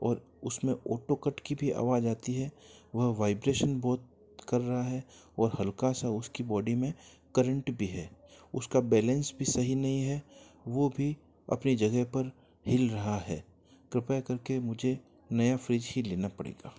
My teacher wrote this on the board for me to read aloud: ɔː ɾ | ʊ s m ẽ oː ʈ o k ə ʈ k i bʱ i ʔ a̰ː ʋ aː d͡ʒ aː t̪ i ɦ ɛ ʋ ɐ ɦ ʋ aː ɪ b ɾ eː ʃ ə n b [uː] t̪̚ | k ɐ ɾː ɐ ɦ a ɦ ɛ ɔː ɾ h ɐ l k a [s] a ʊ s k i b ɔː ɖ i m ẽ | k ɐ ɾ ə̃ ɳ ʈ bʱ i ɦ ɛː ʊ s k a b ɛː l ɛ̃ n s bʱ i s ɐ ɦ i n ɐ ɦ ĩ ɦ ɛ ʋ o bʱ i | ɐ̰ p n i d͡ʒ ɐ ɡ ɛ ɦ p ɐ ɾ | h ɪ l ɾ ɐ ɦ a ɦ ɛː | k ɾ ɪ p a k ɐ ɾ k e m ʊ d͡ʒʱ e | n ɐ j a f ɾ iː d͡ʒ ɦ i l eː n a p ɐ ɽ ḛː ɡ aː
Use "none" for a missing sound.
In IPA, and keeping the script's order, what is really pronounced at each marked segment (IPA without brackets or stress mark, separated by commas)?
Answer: ɔː, s